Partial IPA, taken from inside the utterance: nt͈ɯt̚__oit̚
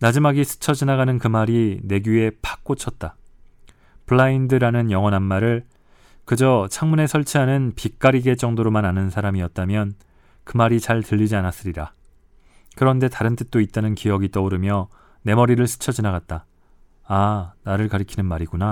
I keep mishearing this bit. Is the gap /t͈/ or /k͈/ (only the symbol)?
t͈